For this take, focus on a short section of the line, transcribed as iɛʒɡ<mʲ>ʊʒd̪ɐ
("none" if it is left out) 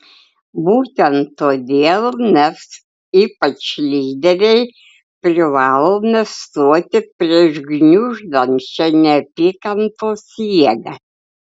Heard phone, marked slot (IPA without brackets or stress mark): nʲ